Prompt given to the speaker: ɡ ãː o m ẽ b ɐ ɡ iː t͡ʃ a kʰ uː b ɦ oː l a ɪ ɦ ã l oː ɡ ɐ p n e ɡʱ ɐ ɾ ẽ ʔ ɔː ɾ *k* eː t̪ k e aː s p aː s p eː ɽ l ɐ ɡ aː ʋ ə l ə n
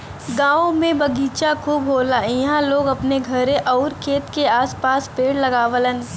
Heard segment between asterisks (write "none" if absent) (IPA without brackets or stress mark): kʰ